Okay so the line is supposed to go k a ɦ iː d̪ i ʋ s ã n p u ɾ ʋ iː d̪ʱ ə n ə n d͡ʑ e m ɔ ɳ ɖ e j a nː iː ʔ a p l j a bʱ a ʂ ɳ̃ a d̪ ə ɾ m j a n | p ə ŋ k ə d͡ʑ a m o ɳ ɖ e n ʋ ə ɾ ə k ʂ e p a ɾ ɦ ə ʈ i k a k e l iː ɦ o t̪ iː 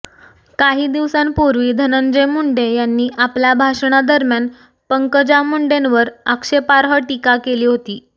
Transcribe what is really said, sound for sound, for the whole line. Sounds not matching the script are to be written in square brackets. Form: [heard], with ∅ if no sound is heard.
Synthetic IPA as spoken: k a ɦ iː d̪ i ʋ s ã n p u ɾ ʋ iː d̪ʱ ə n ə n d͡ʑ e m [u] ɳ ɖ e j a nː iː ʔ a p l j a bʱ a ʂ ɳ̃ a d̪ ə ɾ m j a n | p ə ŋ k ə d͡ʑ a m [u] ɳ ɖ e n ʋ ə ɾ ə k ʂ e p a ɾ ɦ ə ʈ i k a k e l iː ɦ o t̪ iː